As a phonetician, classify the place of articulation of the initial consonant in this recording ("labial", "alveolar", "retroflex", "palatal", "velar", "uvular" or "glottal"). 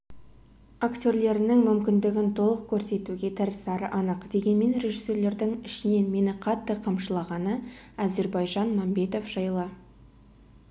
velar